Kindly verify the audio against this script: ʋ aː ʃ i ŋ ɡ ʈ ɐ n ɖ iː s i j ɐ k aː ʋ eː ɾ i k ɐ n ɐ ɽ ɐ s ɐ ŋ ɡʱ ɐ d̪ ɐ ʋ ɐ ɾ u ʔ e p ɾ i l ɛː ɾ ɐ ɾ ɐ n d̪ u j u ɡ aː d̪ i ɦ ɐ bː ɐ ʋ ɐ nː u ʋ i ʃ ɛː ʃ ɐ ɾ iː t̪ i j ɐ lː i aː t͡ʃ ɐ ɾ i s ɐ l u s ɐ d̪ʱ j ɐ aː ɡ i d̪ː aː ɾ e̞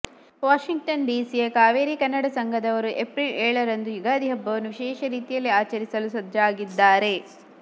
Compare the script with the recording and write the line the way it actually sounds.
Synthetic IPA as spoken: ʋ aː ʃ i ŋ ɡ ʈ ɐ n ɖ iː s i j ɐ k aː ʋ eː ɾ i k ɐ nː ɐ ɽ ɐ s ɐ ŋ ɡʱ ɐ d̪ ɐ ʋ ɐ ɾ u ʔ e p ɾ i l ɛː ɭ ɐ ɾ ɐ n d̪ u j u ɡ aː d̪ i ɦ ɐ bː ɐ ʋ ɐ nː u ʋ i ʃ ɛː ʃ ɐ ɾ iː t̪ i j ɐ lː i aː t͡ʃ ɐ ɾ i s ɐ l u s ɐ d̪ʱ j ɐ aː ɡ i d̪ː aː ɾ e̞

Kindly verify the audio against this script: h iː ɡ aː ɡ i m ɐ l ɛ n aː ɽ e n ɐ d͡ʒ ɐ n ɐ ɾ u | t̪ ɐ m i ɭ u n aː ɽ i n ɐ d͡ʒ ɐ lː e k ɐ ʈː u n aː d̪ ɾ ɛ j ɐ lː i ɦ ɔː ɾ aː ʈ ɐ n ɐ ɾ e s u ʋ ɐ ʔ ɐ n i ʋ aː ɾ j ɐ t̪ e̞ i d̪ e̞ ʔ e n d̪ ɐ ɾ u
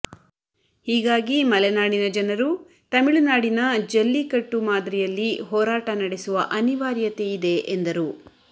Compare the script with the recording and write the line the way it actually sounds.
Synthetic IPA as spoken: h iː ɡ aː ɡ i m ɐ l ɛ n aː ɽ i n ɐ d͡ʒ ɐ n ɐ ɾ u | t̪ ɐ m i ɭ u n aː ɽ i n ɐ d͡ʒ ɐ lː i k ɐ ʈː u m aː d̪ ɾ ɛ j ɐ lː i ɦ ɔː ɾ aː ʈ ɐ n ɐ ɽ e s u ʋ ɐ ʔ ɐ n i ʋ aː ɾ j ɐ t̪ e̞ i d̪ e̞ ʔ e n d̪ ɐ ɾ u

